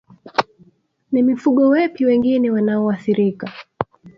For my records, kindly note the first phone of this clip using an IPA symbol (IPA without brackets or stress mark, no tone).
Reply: n